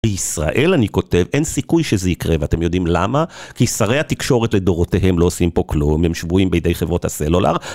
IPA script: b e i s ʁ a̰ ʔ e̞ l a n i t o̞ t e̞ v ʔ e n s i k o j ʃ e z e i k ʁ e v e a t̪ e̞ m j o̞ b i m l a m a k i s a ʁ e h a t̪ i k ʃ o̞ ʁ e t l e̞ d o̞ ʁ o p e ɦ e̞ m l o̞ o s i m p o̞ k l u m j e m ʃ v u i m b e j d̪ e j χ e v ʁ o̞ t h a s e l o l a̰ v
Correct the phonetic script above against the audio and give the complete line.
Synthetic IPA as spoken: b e i s ʁ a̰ ʔ e̞ l a n i k o̞ t e̞ v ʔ e n s i k u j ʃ e z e i k ʁ e v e a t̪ e̞ m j o̞ d i m l a m a k i s a ʁ e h a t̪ i k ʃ o̞ ʁ e t l e̞ d o̞ ʁ o t e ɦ e̞ m l o̞ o s i m p o̞ k l u m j e m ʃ v u i m b e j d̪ e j χ e v ʁ o̞ t h a s e l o l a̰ ʁ